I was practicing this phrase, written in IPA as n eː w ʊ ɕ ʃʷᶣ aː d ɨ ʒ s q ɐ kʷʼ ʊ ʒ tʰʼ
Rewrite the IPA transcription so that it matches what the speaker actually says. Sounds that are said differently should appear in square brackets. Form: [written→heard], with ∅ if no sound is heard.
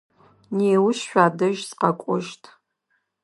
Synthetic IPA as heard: n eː w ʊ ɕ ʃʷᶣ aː d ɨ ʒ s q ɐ kʷʼ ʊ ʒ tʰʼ